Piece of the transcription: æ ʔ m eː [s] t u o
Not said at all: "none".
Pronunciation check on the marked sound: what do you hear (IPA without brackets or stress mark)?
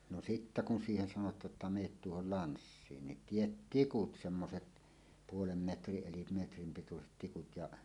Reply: t